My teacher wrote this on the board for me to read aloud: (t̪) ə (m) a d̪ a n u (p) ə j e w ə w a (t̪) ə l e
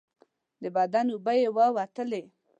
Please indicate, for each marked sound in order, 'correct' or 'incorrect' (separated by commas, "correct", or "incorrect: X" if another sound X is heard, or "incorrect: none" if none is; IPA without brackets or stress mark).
incorrect: d̪, incorrect: b, incorrect: b, correct